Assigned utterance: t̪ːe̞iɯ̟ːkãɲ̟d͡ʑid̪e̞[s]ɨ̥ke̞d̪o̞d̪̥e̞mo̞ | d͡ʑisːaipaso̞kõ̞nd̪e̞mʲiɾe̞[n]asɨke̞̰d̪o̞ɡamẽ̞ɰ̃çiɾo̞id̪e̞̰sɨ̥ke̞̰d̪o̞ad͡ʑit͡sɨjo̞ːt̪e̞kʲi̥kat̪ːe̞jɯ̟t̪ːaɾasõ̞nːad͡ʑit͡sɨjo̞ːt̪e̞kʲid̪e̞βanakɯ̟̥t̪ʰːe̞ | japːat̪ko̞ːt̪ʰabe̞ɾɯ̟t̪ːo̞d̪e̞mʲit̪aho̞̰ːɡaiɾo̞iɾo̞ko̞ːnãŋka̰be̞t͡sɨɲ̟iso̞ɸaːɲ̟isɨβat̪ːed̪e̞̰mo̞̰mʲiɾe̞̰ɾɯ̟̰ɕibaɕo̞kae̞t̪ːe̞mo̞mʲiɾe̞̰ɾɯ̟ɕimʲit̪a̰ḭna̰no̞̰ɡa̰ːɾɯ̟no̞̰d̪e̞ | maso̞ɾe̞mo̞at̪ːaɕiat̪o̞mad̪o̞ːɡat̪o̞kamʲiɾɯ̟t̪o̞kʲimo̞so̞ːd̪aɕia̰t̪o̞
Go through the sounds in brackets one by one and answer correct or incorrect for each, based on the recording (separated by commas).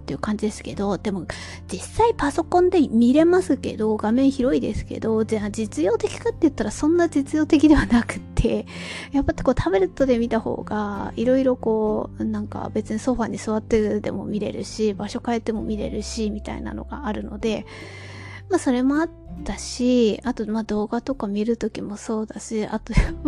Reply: correct, incorrect